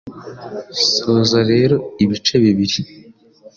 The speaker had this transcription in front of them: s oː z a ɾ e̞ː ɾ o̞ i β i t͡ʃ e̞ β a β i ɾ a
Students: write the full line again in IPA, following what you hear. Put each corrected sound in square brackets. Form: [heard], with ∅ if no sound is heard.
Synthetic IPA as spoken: s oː z a ɾ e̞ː ɾ o̞ i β i t͡ʃ e̞ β [i] β i ɾ [i]